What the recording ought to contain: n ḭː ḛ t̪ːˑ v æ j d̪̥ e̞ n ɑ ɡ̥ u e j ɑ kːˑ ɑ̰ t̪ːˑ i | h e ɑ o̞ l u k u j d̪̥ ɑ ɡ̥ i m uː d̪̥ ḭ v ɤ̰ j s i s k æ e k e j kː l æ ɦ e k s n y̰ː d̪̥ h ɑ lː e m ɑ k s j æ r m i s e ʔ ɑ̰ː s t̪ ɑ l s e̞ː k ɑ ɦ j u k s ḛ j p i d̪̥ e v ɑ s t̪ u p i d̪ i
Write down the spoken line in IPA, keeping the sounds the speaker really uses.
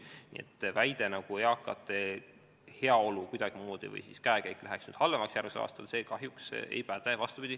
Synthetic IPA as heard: n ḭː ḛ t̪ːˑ v æ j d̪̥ e̞ n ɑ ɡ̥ u e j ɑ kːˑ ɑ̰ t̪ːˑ e | h e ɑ o̞ l u k u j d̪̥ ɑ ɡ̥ i m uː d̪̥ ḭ v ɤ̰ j s i s k æ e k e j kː l æ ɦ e k s n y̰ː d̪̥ h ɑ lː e m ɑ k s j æ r m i s e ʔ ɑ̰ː s t̪ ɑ l s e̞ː k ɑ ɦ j u k s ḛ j p æ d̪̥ e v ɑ s t̪ u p i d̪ i